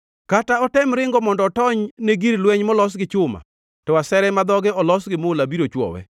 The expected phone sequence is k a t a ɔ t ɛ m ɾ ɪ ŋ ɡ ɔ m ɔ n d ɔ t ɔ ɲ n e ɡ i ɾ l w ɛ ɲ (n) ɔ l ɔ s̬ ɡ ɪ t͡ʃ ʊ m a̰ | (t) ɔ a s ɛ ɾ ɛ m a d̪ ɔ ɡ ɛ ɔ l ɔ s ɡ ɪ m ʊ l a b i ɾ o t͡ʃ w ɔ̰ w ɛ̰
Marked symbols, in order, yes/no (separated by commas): no, yes